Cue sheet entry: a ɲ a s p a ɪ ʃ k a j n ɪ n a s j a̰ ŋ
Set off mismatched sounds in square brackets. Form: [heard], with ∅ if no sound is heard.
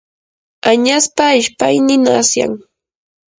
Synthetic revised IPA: a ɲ a s p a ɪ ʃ [p] a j n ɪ n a s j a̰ ŋ